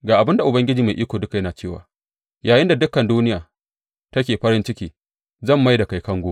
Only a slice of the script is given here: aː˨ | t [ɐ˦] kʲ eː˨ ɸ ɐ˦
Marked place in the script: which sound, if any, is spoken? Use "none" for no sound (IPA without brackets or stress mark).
ɐ˦